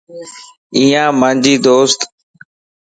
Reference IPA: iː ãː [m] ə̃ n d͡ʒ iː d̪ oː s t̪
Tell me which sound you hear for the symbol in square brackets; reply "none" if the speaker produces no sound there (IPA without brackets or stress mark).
m